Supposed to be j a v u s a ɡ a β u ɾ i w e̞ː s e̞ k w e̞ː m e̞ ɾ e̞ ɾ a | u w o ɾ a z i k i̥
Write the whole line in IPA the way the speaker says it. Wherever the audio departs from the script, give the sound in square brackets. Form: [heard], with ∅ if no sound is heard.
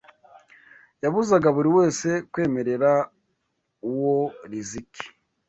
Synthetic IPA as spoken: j a [β] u [z] a ɡ a β u ɾ i w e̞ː s e̞ k w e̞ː m e̞ ɾ e̞ ɾ a | u w o ɾ [i] z i k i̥